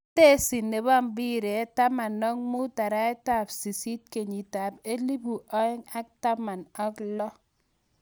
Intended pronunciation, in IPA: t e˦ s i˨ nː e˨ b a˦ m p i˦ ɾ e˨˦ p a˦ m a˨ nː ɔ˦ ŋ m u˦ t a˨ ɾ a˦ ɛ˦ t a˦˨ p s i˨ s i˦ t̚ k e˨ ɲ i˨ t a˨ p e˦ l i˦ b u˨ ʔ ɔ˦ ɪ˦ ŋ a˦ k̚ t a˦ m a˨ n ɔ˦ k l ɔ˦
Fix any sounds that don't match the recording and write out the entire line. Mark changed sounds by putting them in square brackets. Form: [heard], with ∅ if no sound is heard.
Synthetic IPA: t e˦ s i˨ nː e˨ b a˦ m [b] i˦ ɾ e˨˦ [t] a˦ m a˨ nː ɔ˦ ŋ m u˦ t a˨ ɾ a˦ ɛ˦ t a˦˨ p s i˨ s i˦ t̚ k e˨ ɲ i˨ t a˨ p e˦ l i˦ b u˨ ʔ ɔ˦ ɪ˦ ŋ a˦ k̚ t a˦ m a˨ n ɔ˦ k l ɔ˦